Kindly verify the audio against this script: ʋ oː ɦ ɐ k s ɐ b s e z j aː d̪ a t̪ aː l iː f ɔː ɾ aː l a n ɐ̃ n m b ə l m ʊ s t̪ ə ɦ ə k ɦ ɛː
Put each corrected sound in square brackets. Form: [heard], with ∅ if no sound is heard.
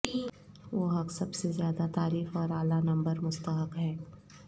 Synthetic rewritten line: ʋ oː ɦ ɐ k s ɐ b s e z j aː d̪ a t̪ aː [ɾ] iː f ɔː ɾ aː l a n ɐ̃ [∅] m b ə [ɾ] m ʊ s t̪ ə ɦ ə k ɦ ɛː